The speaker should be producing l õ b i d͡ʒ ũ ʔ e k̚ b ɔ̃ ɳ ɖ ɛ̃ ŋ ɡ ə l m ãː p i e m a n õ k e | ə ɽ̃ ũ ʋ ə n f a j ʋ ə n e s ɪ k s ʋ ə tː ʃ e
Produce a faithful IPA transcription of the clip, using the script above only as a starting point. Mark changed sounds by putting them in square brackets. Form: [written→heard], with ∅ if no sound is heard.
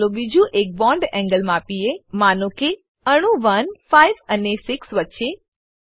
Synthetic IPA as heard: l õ b i d͡ʒ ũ ʔ e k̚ b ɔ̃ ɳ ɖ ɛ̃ ŋ ɡ ə l m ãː p i e m a n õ k e | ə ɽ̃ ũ ʋ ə n f a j ʋ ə n e s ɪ k s ʋ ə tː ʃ e